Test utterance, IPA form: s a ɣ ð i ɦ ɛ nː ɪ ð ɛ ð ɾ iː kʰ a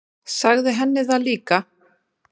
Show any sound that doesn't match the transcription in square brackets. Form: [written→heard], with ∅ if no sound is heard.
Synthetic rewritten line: s a ɣ ð [i→ɪ] ɦ ɛ nː ɪ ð [ɛ→a] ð [ɾ→l] iː [kʰ→k] a